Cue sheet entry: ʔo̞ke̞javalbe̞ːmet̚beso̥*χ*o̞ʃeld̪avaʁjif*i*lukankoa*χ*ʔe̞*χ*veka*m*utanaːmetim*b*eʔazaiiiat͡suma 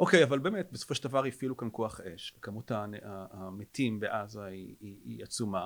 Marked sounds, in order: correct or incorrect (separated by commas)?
incorrect, correct, correct, incorrect, correct, correct